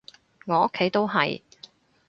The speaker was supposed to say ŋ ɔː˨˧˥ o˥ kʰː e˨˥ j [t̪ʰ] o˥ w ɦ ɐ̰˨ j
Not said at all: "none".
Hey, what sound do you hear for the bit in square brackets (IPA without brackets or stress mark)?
t̪